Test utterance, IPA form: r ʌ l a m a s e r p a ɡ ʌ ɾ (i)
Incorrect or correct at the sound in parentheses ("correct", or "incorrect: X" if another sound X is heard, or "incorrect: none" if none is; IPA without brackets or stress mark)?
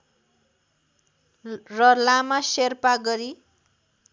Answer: correct